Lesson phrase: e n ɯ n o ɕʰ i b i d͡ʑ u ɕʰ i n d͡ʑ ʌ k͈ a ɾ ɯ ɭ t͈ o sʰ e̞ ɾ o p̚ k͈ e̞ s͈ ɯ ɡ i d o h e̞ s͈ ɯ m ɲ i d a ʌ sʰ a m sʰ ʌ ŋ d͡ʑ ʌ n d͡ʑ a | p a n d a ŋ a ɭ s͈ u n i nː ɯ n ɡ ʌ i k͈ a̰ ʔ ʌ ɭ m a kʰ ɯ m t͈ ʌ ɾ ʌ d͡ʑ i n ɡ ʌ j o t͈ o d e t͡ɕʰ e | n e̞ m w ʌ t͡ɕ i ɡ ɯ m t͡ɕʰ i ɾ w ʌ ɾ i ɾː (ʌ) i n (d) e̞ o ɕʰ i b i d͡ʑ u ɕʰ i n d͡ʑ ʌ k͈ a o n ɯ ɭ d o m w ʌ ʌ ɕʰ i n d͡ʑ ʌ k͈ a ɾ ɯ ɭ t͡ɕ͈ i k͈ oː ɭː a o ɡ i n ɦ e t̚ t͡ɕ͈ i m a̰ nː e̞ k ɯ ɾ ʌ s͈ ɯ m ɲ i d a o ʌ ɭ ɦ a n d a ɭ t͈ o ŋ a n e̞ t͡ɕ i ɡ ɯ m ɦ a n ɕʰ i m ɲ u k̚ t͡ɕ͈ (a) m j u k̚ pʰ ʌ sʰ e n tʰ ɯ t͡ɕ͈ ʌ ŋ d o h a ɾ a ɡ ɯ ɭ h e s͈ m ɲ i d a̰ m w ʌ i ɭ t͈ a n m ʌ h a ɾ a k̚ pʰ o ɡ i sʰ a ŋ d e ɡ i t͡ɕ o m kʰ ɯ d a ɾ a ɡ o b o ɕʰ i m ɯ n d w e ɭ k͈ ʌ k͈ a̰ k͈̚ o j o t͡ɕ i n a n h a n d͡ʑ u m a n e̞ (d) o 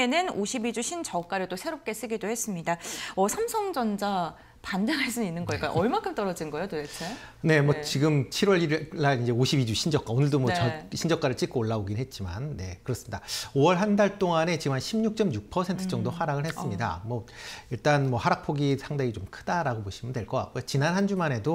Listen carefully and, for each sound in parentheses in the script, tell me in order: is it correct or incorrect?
incorrect: a, incorrect: d͡ʑ, incorrect: ʌ, correct

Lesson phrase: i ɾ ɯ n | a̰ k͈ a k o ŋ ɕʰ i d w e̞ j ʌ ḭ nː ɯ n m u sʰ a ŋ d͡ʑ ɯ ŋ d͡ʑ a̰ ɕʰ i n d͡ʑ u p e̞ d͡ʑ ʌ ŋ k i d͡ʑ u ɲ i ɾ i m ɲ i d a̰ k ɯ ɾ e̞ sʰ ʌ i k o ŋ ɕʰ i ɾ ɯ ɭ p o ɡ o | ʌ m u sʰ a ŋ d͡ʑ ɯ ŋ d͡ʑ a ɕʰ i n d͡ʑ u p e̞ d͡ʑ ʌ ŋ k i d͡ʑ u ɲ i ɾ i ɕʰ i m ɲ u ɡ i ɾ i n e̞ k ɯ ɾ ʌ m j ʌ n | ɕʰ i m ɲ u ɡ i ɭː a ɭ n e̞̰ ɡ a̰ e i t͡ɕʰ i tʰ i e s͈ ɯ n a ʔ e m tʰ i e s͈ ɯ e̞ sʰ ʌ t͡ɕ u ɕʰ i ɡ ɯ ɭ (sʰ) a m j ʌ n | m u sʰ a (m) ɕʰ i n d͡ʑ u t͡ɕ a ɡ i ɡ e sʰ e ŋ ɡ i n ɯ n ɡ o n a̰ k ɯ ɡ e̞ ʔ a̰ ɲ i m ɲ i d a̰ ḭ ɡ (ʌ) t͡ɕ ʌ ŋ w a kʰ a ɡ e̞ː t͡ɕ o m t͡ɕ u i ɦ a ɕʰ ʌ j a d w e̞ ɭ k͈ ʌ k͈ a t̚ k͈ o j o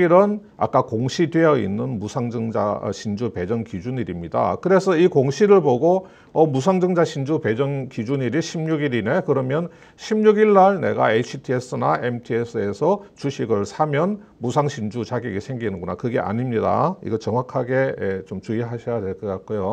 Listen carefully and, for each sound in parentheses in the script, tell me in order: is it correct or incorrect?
correct, incorrect: ŋ, correct

